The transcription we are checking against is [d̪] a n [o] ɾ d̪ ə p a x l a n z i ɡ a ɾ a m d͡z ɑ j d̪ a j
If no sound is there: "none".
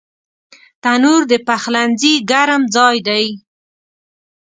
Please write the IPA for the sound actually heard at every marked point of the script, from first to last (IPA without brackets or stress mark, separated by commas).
t̪, u